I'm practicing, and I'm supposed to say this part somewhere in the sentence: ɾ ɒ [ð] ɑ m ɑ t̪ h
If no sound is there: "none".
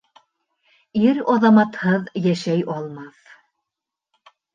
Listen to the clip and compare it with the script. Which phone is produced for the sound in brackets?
ð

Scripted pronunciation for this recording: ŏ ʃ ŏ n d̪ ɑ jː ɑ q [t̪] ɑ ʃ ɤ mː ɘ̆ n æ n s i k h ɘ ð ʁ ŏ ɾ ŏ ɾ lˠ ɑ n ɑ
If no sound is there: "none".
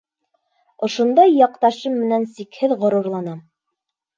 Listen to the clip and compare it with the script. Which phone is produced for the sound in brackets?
t̪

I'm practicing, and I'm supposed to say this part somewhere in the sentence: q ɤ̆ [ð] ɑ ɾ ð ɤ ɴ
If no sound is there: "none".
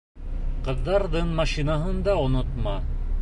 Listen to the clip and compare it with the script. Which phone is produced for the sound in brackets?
ðː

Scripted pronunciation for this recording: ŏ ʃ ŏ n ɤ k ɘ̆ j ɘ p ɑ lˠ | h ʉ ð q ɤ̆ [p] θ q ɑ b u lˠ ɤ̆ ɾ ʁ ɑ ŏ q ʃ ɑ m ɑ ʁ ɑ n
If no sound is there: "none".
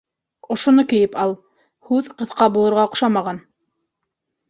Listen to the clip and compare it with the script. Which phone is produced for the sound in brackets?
none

